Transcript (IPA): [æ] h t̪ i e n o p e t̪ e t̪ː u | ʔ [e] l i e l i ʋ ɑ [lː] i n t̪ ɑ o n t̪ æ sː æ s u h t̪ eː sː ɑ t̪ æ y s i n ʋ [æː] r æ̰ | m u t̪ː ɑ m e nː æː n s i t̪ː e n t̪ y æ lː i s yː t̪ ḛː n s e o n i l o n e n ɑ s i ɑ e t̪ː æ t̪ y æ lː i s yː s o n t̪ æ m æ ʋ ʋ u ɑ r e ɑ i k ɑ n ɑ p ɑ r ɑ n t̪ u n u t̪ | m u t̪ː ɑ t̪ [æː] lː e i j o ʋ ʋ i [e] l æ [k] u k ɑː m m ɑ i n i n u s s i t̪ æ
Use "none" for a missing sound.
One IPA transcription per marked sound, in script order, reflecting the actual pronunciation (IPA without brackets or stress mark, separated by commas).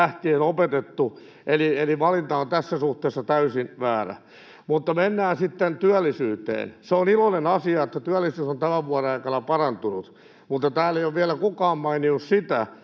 æ, e, l, æː, æː, æ, k